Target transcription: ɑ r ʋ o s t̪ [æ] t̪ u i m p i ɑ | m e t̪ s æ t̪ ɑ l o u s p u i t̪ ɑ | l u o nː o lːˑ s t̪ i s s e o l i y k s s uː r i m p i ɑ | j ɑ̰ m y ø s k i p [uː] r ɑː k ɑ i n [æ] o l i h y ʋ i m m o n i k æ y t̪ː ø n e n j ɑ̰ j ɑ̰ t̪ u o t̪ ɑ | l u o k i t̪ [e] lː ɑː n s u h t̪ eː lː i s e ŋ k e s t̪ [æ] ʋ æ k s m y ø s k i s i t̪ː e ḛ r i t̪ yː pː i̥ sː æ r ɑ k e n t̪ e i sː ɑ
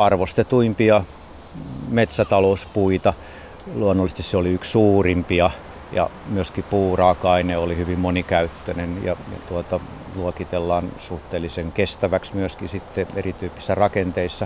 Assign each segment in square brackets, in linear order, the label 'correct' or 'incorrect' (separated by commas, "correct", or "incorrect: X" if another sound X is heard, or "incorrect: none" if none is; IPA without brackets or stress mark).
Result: incorrect: e, correct, incorrect: e, correct, correct